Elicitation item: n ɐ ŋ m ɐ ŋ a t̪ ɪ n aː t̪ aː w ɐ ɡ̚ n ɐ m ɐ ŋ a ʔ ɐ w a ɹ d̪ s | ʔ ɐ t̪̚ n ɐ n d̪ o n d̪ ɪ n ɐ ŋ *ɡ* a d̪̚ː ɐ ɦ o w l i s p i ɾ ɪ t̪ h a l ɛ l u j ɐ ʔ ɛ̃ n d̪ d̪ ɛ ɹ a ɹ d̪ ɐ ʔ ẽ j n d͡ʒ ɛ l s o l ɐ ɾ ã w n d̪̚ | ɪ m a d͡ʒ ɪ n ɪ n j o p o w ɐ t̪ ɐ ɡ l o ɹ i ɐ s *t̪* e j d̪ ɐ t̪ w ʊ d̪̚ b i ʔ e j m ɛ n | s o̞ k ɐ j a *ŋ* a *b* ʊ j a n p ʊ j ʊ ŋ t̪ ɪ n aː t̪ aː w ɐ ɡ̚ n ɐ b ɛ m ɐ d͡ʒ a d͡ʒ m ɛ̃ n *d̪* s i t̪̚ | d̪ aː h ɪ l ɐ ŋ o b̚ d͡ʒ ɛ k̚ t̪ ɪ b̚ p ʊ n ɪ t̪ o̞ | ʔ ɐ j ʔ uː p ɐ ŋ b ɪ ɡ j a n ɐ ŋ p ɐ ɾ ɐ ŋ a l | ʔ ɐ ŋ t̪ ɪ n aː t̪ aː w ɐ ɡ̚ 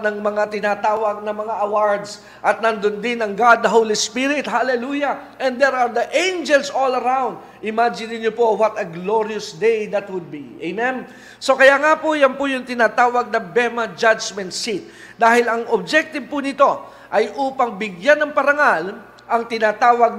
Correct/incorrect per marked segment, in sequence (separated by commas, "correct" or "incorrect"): correct, incorrect, correct, incorrect, incorrect